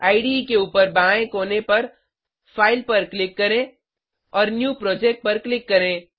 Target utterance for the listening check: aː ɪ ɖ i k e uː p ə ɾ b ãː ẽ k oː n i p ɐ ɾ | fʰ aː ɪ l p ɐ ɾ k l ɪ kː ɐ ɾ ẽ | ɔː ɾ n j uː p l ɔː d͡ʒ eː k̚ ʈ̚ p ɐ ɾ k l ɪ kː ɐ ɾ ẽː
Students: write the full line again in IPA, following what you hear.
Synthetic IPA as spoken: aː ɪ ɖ i k e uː p ə ɾ b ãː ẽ k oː n e p ɐ ɾ | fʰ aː ɪ l p ɐ ɾ k l ɪ kː ɐ ɾ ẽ | ɔː ɾ n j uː p ɾ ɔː d͡ʒ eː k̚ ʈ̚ p ɐ ɾ k l ɪ kː ɐ ɾ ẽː